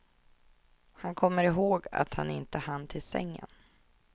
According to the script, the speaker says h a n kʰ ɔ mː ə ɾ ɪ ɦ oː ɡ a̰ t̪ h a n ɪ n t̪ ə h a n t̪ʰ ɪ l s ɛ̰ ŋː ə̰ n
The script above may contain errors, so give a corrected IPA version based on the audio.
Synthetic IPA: h a n kʰ ɔ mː ə ɾ ɪ ɦ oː ɡ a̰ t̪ h a n ɪ n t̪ ə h a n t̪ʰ ɪ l s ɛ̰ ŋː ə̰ n